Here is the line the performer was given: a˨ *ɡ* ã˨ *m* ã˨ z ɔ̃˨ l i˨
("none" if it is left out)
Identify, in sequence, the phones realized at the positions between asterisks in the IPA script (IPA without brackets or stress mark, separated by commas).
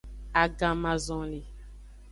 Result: ɡ, m